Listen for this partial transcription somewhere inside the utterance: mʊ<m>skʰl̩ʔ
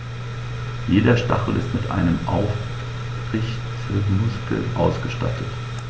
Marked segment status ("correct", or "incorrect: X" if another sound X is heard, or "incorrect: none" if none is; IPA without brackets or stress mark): incorrect: none